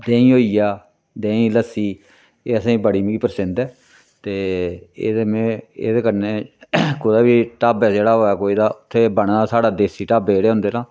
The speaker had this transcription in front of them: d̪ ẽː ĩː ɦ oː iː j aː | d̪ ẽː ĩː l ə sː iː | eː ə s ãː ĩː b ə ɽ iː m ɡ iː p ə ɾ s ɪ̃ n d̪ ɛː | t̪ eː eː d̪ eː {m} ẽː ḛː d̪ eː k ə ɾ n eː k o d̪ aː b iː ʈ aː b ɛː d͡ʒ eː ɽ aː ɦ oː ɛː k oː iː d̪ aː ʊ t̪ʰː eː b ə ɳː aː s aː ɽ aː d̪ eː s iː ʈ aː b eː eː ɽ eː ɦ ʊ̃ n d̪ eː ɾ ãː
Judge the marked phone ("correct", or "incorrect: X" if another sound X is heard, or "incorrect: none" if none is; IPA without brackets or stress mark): correct